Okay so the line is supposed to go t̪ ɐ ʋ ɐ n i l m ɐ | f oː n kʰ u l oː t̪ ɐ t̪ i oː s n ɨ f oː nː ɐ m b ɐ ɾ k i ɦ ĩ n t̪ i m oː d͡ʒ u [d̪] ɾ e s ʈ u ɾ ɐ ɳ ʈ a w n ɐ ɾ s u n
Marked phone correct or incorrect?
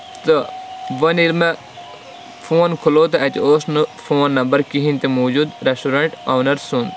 correct